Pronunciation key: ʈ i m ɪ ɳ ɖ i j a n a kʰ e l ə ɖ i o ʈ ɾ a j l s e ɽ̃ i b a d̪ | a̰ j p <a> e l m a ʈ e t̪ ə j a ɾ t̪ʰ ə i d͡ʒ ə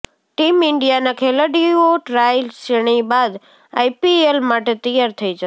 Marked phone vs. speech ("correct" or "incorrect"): incorrect